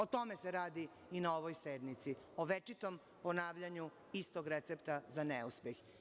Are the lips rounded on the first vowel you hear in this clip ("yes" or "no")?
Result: yes